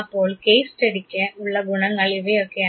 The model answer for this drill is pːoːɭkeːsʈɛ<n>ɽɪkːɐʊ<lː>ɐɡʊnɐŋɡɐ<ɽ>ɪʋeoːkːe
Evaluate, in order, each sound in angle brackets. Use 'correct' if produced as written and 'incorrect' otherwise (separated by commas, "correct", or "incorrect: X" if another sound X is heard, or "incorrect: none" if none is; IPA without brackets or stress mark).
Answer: incorrect: none, incorrect: ɭː, incorrect: ɭ